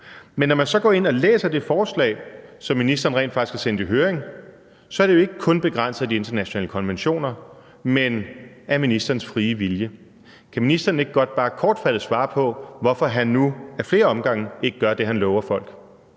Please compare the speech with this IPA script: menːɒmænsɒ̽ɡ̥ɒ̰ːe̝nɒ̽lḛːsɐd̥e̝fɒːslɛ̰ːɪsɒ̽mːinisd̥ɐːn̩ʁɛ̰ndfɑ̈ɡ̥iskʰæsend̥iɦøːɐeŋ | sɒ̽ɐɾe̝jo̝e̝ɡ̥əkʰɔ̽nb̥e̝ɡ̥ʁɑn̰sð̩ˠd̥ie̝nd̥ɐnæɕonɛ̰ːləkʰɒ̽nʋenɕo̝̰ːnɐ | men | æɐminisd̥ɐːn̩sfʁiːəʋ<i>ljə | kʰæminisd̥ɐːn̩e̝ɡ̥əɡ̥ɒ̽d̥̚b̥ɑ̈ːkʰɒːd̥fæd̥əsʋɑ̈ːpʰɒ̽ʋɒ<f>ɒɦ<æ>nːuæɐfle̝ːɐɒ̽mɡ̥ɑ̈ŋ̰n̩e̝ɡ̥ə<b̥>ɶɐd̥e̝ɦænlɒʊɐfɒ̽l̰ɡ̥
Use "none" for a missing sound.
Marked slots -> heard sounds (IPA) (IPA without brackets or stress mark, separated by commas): i, f, æ, ɡ̥